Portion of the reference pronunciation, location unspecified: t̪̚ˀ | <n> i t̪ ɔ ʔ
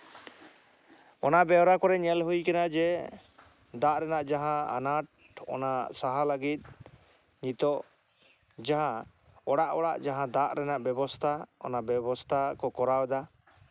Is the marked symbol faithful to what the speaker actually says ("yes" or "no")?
no